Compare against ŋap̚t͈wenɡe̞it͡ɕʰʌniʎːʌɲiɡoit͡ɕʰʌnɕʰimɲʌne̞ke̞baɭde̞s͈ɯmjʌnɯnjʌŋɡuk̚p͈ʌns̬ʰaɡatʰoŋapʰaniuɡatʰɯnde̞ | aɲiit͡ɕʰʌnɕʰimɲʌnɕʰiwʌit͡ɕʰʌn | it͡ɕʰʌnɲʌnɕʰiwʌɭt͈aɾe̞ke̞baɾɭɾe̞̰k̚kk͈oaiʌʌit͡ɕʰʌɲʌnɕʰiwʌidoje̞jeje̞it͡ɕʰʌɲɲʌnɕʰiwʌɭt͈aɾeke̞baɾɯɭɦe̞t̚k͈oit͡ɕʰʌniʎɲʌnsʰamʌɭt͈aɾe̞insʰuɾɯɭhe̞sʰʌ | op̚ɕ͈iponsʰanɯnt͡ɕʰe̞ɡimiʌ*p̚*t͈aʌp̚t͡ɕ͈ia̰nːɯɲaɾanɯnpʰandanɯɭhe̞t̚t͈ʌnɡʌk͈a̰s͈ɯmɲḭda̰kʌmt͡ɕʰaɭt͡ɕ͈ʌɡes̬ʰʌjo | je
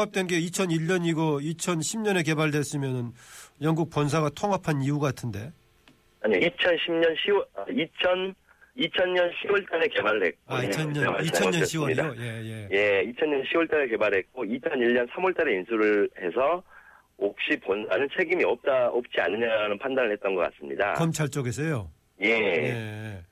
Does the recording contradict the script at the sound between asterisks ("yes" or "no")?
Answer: no